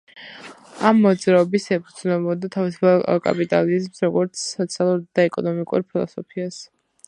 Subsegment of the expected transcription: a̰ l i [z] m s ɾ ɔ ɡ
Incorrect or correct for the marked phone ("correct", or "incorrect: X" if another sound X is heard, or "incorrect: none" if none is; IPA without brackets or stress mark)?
correct